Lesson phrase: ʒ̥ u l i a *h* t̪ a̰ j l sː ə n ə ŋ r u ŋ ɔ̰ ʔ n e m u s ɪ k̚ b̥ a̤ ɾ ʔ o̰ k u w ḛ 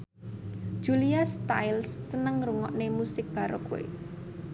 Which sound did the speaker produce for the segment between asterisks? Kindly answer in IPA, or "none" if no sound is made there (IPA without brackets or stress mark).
s